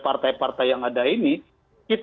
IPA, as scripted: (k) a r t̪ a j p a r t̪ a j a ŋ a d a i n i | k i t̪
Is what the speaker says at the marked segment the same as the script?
no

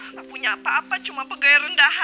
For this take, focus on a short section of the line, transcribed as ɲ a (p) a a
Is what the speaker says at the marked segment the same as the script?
yes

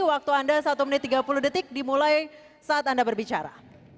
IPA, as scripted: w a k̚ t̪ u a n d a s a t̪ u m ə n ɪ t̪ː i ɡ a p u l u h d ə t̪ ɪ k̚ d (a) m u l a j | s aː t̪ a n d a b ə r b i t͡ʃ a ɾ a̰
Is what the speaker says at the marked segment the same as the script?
no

